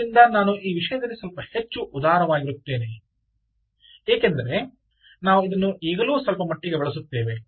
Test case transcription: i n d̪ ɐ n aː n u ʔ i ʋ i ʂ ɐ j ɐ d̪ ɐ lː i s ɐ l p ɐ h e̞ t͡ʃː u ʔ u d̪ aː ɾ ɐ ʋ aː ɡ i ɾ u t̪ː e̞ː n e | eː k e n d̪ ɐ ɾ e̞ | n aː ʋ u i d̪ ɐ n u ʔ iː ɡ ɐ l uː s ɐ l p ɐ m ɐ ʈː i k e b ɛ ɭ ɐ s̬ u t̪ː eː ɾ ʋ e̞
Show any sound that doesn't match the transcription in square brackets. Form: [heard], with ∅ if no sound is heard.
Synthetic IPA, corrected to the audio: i n d̪ ɐ n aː n u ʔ [iː] ʋ i ʂ ɐ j ɐ d̪ ɐ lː i s ɐ l p ɐ h e̞ t͡ʃː u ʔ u d̪ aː ɾ ɐ ʋ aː ɡ i ɾ u t̪ː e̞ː n e | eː k e n d̪ ɐ ɾ e̞ | n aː ʋ u i d̪ ɐ [nː] u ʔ iː ɡ ɐ l uː s ɐ l p ɐ m ɐ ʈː i [ɡ] e b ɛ ɭ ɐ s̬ u t̪ː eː [∅] ʋ e̞